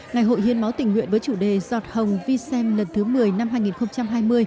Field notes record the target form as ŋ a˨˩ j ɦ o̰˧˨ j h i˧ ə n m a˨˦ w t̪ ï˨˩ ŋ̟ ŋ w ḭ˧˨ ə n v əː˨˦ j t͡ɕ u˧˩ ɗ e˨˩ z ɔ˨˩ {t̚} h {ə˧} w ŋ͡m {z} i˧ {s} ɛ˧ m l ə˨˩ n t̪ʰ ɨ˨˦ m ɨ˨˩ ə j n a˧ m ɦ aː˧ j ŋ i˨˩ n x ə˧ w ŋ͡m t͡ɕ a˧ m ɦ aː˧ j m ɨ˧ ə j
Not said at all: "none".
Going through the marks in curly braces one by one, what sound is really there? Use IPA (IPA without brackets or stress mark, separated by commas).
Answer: t̚, ə˨˩, v, s